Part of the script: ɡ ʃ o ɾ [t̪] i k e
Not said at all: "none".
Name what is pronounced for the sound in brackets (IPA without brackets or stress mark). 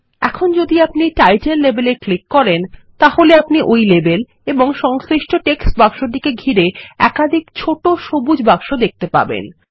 d̪